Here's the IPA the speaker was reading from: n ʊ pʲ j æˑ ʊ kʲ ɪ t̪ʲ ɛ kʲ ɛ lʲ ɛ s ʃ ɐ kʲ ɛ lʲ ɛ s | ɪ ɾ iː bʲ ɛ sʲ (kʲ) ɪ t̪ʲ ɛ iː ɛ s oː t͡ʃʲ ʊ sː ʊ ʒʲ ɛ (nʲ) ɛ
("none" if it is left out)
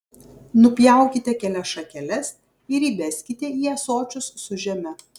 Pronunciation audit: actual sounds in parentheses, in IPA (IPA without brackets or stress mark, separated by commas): kʲ, mʲ